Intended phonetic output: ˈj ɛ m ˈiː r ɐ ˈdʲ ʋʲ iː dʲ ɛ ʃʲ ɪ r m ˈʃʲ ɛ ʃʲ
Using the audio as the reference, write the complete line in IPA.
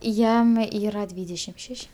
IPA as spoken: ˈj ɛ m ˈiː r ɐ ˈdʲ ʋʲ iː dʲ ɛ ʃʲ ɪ m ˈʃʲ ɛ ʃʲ